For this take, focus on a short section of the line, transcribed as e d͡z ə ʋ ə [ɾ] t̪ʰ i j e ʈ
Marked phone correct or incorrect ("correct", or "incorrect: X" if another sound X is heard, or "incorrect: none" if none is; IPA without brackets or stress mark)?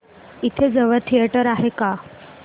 correct